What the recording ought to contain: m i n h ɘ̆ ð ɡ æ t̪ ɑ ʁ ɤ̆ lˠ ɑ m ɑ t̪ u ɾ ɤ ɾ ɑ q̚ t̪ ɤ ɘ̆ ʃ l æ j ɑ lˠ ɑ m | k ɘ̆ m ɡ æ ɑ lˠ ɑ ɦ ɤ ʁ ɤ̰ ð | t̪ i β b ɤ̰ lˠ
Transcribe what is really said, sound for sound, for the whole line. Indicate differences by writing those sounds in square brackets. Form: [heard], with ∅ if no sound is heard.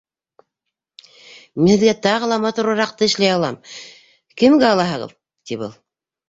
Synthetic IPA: m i n h ɘ̆ ð ɡ æ t̪ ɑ ʁ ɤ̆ lˠ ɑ m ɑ t̪ u ɾ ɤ ɾ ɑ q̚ t̪ ɤ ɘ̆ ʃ l æ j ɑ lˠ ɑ m | k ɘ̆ m ɡ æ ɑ lˠ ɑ ɦ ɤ ʁ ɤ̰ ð | t̪ i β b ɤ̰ lˠ